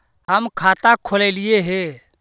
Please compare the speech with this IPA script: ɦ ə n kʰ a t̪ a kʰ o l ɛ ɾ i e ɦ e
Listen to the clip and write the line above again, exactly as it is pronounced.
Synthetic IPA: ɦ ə m kʰ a t̪ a kʰ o l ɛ l i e ɦ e